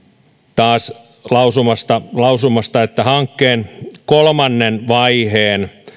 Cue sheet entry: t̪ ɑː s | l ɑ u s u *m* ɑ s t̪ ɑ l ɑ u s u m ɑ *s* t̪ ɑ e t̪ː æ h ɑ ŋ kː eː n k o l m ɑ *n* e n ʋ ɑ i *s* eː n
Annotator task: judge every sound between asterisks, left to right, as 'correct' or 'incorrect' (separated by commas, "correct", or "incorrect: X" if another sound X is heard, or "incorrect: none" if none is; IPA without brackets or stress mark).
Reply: correct, correct, incorrect: nː, incorrect: h